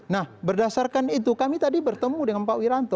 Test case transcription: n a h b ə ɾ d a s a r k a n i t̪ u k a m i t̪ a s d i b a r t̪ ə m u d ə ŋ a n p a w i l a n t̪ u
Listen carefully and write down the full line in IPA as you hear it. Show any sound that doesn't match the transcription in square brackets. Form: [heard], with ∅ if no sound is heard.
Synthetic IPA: n a h b ə [r] d a s a r k a n i t̪ u k a m i t̪ a [∅] d i b [ə] r t̪ ə m u d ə ŋ a n p a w i [ɾ] a n t̪ [ɔ]